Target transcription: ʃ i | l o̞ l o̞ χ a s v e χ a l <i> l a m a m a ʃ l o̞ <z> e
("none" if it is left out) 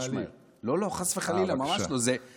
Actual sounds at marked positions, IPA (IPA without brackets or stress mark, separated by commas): i, z